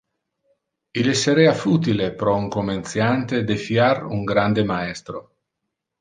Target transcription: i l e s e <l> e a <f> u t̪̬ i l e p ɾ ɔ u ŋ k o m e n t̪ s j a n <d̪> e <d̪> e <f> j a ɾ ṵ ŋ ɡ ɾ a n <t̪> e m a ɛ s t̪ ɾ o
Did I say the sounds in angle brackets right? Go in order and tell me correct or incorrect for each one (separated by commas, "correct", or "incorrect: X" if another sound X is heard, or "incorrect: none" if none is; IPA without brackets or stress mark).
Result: incorrect: ɾ, correct, incorrect: t̪, correct, correct, incorrect: d̪